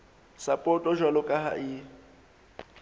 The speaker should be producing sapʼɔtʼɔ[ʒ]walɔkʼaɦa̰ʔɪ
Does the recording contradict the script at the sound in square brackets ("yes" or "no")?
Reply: no